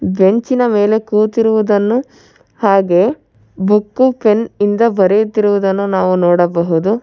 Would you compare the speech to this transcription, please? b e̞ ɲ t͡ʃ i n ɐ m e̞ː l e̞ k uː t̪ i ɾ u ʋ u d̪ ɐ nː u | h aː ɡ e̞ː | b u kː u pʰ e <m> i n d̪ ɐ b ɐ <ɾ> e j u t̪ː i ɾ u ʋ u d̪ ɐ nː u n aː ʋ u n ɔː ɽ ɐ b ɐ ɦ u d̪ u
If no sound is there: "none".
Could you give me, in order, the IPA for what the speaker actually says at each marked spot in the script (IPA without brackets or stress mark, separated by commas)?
n, ɾ